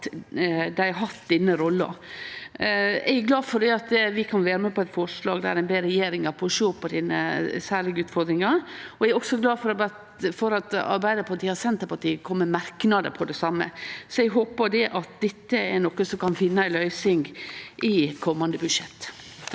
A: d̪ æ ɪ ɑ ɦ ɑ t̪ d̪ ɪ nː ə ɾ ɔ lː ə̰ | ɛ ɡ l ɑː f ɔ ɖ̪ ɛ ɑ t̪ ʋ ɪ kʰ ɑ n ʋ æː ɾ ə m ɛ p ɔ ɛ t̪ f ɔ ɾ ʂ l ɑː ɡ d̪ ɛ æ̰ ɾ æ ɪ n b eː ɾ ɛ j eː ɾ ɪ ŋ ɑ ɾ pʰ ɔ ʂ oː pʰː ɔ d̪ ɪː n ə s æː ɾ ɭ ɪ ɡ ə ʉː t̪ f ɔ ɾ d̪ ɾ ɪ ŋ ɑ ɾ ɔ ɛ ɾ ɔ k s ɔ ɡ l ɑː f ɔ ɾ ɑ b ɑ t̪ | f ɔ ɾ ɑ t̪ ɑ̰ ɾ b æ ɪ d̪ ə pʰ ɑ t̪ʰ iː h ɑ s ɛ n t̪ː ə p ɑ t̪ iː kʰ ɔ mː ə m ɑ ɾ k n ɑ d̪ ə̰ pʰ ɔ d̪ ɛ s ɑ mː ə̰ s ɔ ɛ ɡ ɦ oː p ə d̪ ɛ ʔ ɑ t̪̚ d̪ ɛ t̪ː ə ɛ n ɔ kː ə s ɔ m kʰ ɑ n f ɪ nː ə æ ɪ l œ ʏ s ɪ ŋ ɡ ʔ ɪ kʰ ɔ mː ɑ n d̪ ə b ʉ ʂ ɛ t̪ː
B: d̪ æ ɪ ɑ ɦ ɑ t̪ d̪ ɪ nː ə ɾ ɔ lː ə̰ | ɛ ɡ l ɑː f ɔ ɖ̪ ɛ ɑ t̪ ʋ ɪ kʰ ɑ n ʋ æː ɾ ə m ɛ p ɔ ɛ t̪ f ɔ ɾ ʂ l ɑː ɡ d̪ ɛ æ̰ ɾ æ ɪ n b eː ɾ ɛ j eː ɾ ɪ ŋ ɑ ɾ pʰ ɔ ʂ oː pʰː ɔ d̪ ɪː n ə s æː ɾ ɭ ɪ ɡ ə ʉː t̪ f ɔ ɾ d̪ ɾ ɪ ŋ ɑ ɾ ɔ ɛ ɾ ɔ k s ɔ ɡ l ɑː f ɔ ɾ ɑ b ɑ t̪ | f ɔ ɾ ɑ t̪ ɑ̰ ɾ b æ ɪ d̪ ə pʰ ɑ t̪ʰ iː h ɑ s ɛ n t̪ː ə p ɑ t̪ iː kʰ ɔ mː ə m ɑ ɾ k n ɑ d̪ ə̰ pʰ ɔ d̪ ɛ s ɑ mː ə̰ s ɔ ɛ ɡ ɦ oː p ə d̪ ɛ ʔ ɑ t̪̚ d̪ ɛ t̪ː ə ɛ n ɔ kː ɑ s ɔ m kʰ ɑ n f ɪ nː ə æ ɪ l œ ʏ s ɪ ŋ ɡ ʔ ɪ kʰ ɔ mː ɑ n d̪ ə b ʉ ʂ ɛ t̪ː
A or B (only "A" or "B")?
A